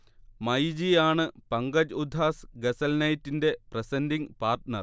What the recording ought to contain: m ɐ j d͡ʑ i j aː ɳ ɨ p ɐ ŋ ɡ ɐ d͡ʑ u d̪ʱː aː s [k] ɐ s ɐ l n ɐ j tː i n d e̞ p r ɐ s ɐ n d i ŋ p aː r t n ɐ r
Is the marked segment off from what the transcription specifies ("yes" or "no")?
yes